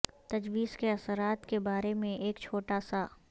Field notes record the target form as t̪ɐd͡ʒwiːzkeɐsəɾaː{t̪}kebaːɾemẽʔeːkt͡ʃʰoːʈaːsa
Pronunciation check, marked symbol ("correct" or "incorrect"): correct